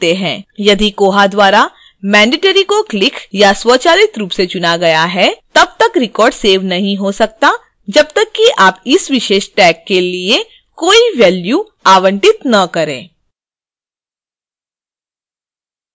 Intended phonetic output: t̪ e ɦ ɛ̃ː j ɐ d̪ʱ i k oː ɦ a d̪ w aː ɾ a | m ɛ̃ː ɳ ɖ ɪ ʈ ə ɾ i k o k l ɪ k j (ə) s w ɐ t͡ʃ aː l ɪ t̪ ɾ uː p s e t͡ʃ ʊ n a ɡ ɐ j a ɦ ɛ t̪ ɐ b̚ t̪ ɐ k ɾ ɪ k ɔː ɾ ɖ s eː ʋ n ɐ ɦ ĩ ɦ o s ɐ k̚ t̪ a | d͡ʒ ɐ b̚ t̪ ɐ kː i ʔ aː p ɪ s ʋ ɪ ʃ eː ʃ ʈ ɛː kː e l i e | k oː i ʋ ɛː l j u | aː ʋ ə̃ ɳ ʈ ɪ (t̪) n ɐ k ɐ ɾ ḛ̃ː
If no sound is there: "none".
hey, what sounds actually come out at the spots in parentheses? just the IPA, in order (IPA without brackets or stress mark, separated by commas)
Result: a, t̪